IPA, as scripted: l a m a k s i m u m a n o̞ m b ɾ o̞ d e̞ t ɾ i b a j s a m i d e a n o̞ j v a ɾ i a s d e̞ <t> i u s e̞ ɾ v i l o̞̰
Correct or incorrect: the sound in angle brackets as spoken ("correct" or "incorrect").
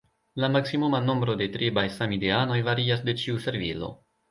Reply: incorrect